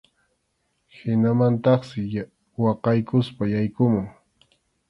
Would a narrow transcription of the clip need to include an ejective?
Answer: no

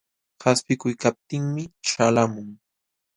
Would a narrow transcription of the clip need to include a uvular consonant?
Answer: no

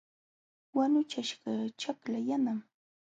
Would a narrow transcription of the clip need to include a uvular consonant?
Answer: yes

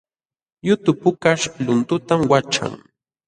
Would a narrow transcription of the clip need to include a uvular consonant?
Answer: no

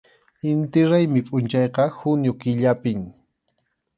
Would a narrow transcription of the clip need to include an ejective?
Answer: yes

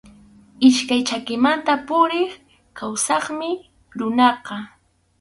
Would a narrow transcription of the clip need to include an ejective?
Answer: no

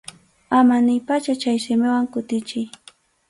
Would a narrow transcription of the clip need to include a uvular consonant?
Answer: no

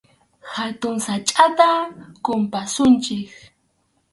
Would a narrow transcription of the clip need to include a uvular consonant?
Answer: no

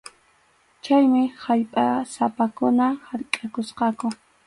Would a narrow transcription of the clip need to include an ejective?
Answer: yes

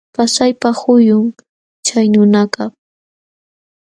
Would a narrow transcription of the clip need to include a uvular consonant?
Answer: no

